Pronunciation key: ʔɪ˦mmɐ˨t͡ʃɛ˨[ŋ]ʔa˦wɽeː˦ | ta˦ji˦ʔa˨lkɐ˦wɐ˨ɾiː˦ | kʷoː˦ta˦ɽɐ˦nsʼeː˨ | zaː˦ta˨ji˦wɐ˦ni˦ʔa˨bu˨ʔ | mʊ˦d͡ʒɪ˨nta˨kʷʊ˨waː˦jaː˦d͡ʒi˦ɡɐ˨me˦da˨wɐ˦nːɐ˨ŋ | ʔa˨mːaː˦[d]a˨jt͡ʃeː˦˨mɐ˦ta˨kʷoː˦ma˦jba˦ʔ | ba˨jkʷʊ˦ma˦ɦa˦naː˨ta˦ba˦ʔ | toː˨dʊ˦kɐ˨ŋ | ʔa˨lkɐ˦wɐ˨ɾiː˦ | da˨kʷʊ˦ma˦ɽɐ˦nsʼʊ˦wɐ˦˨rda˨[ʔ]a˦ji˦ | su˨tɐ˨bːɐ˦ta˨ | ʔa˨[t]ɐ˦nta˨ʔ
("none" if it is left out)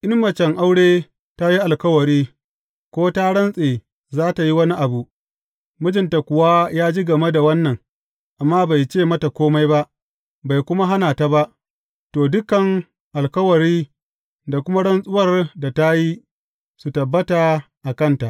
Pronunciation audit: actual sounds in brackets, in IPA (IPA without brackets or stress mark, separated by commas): ŋ, b, t, k